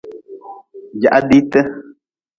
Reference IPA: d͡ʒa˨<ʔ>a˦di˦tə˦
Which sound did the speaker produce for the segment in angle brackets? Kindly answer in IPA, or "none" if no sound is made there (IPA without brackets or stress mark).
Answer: ʔ